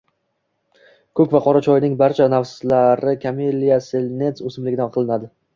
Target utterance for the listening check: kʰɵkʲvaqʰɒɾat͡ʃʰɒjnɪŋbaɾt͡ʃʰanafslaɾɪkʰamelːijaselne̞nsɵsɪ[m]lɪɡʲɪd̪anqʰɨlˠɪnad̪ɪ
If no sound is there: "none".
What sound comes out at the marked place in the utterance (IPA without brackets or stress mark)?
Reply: m